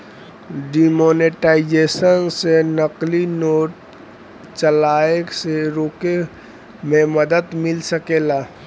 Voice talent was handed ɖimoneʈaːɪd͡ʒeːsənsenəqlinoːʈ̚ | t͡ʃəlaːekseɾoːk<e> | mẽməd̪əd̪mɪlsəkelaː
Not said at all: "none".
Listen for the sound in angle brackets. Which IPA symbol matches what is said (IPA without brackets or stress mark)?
e